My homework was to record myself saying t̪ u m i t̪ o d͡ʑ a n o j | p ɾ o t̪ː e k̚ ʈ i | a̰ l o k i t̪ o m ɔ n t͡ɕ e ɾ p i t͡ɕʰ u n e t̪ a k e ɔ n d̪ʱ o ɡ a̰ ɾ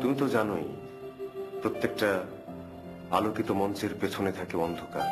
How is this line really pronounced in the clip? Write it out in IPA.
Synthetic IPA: t̪ u m i t̪ o d͡ʑ a n o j | p ɾ o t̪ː e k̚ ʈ a | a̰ l o k i t̪ o m ɔ n t͡ɕ e ɾ p e t͡ɕʰ o n e t̪ʰ a k e ɔ n d̪ʱ o k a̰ ɾ

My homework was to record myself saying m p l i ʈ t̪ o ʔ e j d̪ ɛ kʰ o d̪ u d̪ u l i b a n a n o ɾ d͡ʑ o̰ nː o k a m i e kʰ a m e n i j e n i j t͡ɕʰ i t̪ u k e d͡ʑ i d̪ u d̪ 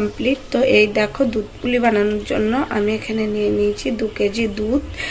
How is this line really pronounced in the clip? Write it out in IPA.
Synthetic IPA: m p l i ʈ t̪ o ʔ e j d̪ ɛ kʰ o d̪ u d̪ u l i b a n a n o ɾ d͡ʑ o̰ nː o ʔ a m i e kʰ a n e n i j e n i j t͡ɕʰ i d̪ u k e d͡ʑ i d̪ u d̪

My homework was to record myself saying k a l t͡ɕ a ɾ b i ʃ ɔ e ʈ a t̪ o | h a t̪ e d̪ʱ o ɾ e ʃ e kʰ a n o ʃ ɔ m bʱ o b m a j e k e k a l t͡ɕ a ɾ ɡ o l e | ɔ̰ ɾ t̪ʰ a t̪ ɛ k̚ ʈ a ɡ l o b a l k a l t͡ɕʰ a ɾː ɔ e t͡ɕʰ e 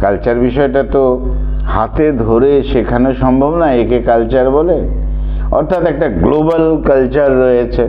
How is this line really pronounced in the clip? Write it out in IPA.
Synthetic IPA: k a l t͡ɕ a ɾ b i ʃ ɔ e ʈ a t̪ o | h a t̪ e d̪ʱ o ɾ e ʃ e kʰ a n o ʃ ɔ m bʱ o b n a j e k e k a l t͡ɕ a ɾ b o l e | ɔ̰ ɾ t̪ʰ a t̪ ɛ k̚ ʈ a ɡ l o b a l k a l t͡ɕ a ɾː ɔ e t͡ɕʰ e

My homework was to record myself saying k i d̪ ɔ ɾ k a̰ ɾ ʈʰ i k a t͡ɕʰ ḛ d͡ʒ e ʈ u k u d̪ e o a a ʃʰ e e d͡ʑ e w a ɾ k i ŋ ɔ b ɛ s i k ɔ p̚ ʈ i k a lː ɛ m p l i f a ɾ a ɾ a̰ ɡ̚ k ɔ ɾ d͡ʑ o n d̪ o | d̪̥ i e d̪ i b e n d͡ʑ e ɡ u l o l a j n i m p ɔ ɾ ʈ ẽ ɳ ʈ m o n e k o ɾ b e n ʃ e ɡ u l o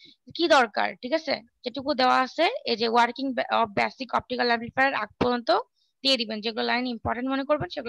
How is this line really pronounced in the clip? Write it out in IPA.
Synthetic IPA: k i d̪ ɔ ɾ k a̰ ɾ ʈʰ i k a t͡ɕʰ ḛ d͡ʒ e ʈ u k u d̪ e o a a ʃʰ e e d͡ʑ e w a ɾ k i ŋ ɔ b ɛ s i k ɔ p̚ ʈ i k a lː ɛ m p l i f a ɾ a ɾ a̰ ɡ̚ p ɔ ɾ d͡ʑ o n t̪ o | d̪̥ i e d̪ i b e n d͡ʑ e ɡ u l o l a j n i m p ɔ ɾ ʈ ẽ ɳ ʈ m o n e k o ɾ b e n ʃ e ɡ u l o

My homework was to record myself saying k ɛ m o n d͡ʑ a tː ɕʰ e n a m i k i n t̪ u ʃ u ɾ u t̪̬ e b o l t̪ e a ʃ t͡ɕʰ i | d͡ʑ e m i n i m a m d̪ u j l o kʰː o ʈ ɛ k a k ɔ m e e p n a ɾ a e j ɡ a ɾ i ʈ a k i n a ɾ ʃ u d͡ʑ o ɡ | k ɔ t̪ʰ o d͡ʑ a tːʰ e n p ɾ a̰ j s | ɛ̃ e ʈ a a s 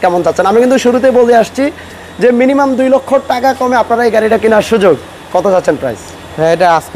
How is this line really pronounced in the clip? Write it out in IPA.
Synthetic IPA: k ɛ m o n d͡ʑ a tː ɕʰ e n a m i k i n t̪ u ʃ u ɾ u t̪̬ e b o l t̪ e a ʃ t͡ɕʰ i | d͡ʑ e m i n i m a m d̪ u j l o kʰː o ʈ a k a k ɔ m e a p n a ɾ a e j ɡ a ɾ i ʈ a k i n a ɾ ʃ u d͡ʑ o ɡ | k ɔ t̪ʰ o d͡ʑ a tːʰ e n p ɾ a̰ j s | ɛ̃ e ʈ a a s

